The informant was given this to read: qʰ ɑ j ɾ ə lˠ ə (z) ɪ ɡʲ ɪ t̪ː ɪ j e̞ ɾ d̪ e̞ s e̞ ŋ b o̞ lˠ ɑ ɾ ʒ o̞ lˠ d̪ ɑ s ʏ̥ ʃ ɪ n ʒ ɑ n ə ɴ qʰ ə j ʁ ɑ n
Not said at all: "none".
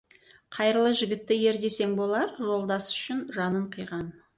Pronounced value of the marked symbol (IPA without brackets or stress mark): ʒ